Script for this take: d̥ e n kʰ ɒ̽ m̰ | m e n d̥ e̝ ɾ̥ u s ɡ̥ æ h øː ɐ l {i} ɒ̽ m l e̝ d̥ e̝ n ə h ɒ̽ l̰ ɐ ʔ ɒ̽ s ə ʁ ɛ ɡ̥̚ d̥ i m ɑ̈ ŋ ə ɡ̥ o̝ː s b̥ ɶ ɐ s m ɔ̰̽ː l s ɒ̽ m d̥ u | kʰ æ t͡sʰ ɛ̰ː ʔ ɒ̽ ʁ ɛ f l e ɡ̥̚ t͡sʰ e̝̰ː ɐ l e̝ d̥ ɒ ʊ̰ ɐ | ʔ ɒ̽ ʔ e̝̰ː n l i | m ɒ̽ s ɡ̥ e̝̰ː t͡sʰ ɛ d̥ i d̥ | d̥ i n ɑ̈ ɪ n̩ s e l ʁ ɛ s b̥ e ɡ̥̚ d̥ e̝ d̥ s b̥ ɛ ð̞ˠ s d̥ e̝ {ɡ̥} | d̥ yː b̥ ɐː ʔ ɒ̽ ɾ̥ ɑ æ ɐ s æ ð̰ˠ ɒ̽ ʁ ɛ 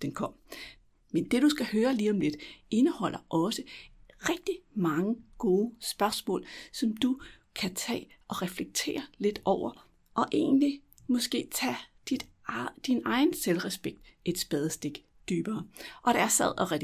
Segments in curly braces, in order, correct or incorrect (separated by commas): incorrect, correct